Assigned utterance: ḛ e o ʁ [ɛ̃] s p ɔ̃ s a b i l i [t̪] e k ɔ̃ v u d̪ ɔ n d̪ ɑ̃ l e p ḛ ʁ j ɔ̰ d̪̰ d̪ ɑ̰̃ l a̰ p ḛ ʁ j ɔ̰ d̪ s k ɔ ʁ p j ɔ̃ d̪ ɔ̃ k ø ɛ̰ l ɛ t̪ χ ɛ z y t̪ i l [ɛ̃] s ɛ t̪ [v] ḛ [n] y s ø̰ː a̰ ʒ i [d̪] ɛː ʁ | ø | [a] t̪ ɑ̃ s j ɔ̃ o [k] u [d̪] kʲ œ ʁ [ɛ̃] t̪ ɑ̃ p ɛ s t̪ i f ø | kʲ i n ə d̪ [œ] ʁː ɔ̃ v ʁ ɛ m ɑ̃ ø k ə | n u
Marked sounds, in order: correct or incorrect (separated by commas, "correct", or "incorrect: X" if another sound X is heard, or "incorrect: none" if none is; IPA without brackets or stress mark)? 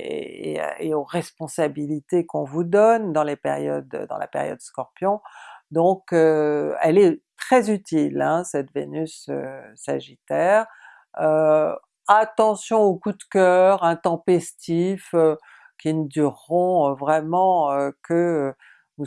incorrect: ɛ, correct, correct, correct, correct, incorrect: t̪, correct, correct, correct, correct, incorrect: y